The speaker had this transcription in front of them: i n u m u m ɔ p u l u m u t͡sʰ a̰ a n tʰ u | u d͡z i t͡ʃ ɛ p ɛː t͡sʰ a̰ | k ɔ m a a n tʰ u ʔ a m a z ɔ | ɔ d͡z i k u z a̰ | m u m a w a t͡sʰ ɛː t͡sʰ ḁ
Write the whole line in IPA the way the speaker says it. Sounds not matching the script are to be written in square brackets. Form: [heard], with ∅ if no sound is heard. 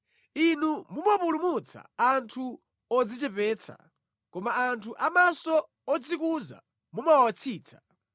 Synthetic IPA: i n u m u m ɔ p u l u m u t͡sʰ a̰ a n tʰ u | [ɔ] d͡z i t͡ʃ ɛ p ɛː t͡sʰ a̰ | k ɔ m a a n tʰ u ʔ a m a [s] ɔ | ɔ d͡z i k u z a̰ | m u m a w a t͡sʰ [iː] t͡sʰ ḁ